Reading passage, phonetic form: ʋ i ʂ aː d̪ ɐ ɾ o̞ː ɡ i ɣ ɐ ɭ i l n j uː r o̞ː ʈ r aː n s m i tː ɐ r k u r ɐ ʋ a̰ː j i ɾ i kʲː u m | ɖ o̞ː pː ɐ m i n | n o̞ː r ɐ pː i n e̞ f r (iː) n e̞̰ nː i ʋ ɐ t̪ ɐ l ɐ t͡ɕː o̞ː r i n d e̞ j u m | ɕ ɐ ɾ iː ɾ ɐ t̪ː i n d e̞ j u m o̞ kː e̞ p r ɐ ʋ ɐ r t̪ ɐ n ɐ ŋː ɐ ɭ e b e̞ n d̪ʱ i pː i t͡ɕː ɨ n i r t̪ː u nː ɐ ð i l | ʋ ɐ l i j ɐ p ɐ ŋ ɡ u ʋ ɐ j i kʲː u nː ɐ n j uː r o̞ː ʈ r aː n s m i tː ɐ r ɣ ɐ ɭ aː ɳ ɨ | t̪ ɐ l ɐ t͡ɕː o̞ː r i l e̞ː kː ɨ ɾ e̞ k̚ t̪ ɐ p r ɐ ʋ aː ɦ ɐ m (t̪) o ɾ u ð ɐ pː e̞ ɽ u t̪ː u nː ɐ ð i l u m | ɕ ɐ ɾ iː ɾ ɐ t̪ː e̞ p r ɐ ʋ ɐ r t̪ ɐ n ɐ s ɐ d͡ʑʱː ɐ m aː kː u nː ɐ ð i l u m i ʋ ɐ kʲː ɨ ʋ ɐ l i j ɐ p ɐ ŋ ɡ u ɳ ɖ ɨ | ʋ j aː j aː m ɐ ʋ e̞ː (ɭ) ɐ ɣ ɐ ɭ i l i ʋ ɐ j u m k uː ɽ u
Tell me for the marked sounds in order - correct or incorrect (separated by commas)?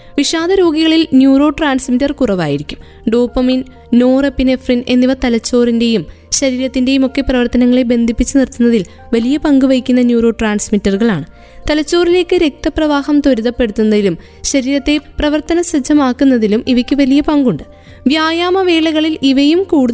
incorrect, correct, correct